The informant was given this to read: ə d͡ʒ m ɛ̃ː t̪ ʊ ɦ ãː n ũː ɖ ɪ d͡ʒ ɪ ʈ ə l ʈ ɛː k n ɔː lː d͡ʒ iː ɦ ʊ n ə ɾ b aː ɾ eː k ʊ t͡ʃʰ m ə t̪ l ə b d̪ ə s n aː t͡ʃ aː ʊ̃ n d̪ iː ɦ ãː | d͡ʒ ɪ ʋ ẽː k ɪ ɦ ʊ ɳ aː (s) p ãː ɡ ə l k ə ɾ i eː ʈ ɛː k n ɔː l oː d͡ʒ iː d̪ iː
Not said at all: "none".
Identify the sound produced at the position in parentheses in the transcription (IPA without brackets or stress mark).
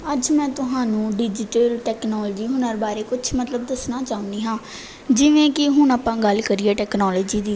none